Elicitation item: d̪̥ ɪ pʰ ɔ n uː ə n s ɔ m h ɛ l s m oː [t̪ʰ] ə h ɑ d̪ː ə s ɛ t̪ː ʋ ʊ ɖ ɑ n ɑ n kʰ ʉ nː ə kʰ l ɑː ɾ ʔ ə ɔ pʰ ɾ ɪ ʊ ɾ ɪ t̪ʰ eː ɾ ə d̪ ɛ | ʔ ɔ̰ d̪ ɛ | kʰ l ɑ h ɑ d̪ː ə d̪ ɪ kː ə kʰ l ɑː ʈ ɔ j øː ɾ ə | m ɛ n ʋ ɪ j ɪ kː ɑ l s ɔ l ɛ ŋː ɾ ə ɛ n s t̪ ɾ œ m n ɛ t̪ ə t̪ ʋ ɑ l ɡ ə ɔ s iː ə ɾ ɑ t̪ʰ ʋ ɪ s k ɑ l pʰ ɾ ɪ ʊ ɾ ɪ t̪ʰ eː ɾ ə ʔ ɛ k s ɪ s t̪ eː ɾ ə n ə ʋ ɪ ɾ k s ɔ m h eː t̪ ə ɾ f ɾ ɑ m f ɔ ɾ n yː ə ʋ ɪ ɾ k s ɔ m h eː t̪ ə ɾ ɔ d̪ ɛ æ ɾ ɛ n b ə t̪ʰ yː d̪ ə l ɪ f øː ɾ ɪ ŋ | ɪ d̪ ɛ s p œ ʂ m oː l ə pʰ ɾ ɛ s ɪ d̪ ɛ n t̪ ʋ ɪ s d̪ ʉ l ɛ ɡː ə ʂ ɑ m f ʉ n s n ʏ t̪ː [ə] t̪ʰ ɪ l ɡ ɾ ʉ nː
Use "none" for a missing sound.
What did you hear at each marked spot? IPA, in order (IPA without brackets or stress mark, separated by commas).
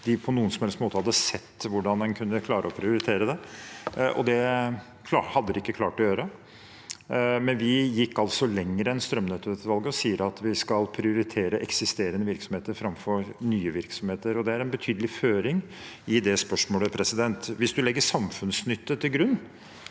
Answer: t̪, ə